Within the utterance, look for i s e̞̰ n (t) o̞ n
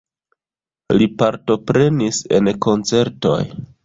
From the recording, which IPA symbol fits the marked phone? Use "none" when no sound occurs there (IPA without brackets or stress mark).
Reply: k